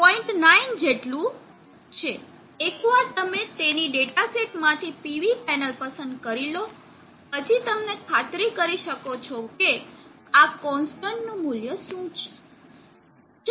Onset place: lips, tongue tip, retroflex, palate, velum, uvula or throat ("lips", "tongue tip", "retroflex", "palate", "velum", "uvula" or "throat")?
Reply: lips